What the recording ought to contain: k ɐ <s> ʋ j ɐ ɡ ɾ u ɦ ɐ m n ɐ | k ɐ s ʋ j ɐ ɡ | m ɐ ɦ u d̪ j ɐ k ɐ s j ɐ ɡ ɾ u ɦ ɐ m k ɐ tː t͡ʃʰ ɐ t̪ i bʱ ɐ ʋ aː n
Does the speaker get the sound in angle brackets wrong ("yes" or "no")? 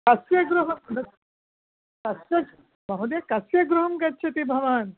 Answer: no